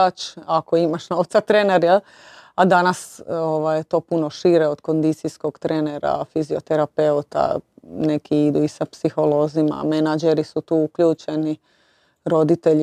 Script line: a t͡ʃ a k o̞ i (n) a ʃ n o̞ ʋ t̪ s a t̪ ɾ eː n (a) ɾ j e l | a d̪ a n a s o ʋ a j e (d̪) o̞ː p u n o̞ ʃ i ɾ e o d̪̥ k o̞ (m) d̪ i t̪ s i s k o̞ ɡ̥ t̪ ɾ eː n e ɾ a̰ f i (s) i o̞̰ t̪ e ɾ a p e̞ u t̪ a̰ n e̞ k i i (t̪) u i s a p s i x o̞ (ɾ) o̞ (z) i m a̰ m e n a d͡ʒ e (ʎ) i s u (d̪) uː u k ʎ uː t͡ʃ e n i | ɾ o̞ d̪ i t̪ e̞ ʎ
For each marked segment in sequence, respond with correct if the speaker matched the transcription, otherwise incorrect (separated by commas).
incorrect, incorrect, incorrect, incorrect, incorrect, incorrect, incorrect, correct, incorrect, incorrect